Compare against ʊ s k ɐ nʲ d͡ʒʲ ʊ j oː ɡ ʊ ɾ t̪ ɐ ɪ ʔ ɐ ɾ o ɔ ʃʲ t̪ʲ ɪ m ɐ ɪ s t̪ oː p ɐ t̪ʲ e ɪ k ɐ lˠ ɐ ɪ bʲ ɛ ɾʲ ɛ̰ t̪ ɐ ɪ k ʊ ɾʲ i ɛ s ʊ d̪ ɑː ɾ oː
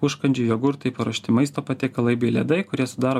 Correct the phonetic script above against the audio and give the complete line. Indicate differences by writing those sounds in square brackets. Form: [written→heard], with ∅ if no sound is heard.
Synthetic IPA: ʊ [s→ʃ] k ɐ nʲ d͡ʒʲ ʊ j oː ɡ ʊ ɾ t̪ ɐ ɪ [ʔ→p] ɐ ɾ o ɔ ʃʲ t̪ʲ ɪ m ɐ ɪ s t̪ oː p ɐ t̪ʲ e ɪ k ɐ lˠ ɐ ɪ bʲ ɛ [ɾʲ→lʲ] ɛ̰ [t̪→d̪] ɐ ɪ k ʊ ɾʲ i ɛ s ʊ d̪ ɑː ɾ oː